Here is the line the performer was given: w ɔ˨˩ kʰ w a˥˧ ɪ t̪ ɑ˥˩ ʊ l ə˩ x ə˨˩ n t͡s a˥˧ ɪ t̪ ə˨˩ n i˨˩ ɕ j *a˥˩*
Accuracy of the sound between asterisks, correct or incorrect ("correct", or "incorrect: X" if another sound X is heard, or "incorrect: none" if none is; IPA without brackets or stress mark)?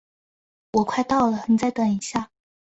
correct